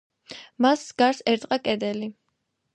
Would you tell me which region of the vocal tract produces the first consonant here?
lips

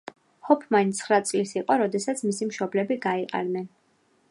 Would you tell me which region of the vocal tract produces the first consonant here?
throat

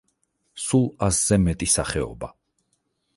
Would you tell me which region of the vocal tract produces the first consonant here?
tongue tip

